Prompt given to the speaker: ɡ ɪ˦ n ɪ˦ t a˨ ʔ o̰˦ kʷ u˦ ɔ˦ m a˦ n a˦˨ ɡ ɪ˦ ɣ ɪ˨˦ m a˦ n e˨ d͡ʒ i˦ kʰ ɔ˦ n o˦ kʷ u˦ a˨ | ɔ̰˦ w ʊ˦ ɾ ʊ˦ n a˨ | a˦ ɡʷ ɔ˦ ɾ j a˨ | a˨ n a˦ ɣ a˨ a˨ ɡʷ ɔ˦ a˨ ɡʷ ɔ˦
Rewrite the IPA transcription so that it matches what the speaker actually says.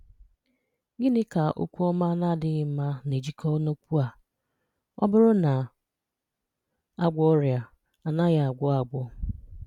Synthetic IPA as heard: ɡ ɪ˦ n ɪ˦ k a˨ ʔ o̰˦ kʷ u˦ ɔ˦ m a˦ n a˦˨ d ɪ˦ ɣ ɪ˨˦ m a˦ n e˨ d͡ʒ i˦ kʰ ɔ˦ n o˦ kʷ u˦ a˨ | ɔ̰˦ b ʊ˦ ɾ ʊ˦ n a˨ | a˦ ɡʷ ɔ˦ ɾ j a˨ | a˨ n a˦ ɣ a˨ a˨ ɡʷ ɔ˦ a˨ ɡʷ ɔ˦

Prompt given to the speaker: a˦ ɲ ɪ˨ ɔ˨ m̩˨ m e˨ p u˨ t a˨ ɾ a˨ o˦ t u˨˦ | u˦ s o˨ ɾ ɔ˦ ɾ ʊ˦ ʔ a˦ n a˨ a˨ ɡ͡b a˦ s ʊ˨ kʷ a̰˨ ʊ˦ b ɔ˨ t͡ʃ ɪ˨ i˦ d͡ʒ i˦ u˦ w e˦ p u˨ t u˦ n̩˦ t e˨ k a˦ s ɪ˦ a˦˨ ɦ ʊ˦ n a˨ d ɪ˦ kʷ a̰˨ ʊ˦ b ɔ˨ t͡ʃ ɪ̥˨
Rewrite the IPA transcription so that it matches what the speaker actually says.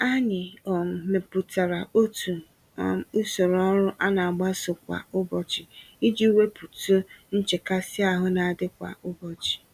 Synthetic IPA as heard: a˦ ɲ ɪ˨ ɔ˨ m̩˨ m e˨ p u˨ t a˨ ɾ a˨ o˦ t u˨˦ | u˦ s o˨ ɾ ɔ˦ ɾ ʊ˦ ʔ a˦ n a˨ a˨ ɡ͡b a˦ s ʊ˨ kʷ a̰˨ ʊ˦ b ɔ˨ t͡ʃ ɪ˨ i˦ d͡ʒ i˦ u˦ w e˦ p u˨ t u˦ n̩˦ t͡ʃ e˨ k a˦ s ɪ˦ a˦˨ ɦ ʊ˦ n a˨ d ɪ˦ kʷ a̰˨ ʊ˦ b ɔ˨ t͡ʃ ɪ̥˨

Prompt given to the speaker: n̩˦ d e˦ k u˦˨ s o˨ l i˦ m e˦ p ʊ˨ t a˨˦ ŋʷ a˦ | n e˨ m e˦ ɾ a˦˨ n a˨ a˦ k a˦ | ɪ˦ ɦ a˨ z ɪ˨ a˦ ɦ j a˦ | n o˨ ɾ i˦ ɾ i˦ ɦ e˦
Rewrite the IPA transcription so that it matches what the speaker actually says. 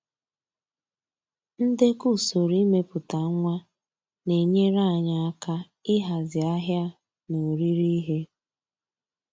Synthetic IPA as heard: n̩˦ d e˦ k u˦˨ s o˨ ɾ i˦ m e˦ p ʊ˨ t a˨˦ ŋʷ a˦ | n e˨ ɲ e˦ ɾ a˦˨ ɲ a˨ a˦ k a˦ | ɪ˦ ɦ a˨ z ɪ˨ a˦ ɦ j a˦ | n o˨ ɾ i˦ ɾ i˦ ɦ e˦

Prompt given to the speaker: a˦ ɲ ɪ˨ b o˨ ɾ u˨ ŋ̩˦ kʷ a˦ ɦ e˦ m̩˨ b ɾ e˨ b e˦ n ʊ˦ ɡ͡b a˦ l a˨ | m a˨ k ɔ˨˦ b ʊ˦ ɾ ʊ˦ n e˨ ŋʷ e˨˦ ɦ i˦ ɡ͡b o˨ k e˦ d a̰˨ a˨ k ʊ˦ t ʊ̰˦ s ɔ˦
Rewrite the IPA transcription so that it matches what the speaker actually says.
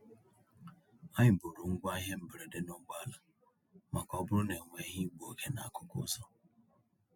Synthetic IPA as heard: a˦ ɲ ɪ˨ b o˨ ɾ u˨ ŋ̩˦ ɡʷ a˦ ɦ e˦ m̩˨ b ɾ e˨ d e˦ n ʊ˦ ɡ͡b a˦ l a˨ | m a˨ k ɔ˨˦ b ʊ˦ ɾ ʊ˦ n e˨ ŋʷ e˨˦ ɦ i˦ ɡ͡b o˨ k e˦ n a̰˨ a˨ k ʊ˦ k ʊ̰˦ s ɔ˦

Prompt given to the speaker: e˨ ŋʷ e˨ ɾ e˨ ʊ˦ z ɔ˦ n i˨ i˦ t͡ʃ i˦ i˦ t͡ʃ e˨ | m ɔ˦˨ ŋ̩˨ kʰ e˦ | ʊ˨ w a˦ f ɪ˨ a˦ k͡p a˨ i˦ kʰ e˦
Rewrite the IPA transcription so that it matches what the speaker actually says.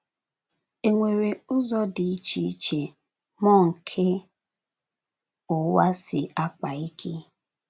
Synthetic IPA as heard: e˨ ŋʷ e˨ ɾ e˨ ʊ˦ z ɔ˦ d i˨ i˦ t͡ʃ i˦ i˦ t͡ʃ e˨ | m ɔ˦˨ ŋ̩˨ kʰ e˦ | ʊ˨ w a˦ s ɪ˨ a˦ k͡p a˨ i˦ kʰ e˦

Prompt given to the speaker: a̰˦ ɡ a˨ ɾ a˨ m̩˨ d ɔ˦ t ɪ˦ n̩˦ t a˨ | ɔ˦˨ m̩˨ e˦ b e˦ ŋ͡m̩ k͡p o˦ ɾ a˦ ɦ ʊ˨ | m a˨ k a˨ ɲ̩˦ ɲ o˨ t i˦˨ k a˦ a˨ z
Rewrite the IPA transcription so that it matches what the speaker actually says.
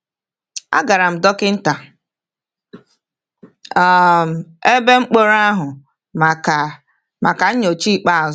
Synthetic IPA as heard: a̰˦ ɡ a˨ ɾ a˨ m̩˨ d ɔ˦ k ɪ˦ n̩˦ t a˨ | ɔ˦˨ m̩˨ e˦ b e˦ ŋ͡m̩ k͡p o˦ ɾ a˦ ɦ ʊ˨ | m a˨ k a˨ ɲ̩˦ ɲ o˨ t͡ʃ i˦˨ k͡p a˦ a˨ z

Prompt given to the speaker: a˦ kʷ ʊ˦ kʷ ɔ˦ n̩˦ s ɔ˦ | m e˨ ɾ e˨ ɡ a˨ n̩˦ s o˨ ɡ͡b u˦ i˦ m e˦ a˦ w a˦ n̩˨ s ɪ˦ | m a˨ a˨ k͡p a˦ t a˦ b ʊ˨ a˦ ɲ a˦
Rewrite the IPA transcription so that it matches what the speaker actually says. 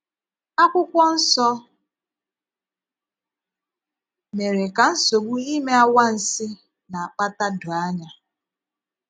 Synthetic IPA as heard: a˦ kʷ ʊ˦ kʷ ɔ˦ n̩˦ s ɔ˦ | m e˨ ɾ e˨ k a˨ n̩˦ s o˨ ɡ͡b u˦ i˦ m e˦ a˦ w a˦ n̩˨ s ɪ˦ | n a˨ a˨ k͡p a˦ t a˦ d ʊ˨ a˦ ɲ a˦

